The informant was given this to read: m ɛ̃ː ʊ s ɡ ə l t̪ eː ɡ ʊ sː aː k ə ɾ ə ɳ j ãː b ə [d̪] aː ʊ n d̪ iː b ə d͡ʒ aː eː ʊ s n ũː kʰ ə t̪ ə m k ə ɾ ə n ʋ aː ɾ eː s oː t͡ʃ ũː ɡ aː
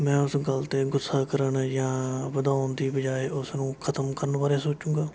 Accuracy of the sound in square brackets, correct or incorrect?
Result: correct